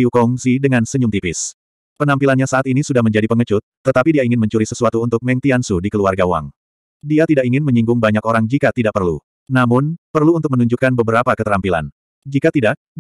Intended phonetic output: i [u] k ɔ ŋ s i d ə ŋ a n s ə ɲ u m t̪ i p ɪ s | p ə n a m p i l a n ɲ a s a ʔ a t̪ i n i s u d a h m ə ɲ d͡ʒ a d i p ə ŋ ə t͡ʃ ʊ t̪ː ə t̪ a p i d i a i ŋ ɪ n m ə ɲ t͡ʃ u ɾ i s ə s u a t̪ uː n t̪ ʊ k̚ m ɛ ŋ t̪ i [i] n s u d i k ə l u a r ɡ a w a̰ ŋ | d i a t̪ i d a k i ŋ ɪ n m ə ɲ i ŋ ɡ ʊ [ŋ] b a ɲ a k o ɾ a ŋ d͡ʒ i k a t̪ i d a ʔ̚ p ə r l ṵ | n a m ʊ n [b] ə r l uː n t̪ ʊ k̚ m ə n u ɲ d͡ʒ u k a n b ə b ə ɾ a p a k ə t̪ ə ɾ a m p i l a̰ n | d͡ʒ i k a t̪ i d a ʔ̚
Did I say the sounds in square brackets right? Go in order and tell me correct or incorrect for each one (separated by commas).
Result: correct, incorrect, correct, incorrect